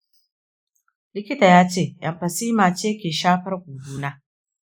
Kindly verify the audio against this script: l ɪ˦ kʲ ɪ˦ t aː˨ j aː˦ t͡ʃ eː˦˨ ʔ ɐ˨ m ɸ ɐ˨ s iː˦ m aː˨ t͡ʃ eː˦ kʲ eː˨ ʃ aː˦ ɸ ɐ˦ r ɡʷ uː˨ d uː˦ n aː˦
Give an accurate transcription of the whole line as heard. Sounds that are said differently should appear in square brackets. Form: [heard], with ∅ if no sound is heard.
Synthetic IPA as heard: l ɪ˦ kʲ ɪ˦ t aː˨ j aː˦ t͡ʃ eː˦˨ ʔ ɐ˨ m ɸ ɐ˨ s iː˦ m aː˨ t͡ʃ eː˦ kʲ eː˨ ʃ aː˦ ɸ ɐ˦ r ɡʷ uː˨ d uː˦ n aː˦